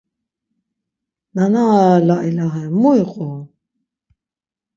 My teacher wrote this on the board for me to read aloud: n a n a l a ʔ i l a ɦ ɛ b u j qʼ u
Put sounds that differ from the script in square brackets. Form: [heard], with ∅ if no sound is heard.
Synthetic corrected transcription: n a n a l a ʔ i l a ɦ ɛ [m] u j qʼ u